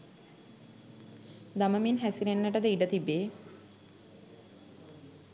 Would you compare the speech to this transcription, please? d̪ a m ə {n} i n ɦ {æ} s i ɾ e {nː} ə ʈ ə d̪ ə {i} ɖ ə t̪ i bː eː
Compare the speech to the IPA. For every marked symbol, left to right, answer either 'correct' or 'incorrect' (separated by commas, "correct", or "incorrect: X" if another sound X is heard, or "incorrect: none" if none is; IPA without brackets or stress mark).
incorrect: m, correct, correct, correct